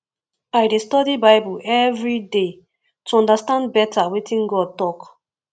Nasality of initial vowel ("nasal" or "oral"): oral